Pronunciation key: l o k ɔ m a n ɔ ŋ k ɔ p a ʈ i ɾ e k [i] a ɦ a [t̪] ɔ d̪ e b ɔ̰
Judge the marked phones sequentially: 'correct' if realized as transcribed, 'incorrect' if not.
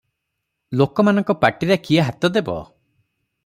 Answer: correct, correct

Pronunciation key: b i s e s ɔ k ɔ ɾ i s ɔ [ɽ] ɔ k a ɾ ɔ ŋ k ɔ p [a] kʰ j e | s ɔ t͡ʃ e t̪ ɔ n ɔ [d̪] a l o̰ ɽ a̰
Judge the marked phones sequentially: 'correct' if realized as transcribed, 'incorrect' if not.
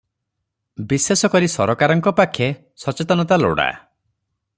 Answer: incorrect, correct, incorrect

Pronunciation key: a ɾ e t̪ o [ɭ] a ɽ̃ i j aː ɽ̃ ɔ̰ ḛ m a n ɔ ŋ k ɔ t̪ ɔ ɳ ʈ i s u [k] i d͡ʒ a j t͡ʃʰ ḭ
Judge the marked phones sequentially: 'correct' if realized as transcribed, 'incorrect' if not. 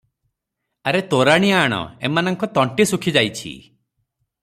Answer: incorrect, incorrect

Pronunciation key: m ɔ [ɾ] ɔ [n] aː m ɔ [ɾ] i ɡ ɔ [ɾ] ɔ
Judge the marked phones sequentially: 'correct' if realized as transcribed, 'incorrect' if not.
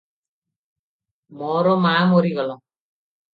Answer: correct, incorrect, correct, incorrect

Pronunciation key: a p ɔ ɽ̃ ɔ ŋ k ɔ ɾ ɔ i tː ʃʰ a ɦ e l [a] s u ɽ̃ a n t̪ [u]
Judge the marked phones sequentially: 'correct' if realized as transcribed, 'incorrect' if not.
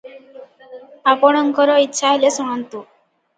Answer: incorrect, correct

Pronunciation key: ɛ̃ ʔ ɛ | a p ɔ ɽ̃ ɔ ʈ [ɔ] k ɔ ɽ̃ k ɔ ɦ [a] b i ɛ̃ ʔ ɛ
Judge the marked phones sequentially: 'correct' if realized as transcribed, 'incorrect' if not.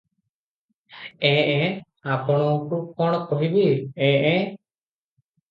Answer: incorrect, incorrect

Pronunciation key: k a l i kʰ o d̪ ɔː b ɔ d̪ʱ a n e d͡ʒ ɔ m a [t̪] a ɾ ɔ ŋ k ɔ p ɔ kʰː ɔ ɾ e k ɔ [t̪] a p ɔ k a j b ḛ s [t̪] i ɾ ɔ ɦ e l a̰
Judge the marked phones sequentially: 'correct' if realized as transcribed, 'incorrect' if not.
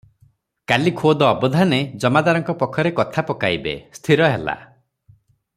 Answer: incorrect, incorrect, incorrect

